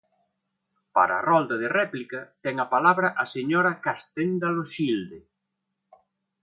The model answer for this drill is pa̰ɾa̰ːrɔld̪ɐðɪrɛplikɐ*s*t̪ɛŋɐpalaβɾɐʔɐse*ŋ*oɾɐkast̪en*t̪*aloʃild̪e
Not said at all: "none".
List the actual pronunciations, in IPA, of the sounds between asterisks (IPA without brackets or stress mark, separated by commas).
none, ɲ, d̪